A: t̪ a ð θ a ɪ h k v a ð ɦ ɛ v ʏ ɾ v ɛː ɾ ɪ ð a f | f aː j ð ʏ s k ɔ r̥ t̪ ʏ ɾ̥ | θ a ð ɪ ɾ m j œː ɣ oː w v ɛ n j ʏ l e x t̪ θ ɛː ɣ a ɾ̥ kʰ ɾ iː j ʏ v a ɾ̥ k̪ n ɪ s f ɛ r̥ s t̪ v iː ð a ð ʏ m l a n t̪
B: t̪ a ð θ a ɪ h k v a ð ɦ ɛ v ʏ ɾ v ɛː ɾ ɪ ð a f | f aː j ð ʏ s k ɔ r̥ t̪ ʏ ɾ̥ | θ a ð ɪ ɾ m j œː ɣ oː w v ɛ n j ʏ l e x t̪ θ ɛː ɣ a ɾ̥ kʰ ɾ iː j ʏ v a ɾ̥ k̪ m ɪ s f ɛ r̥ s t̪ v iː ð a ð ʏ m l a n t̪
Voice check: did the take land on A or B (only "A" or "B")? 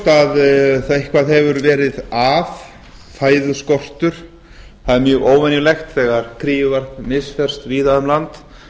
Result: B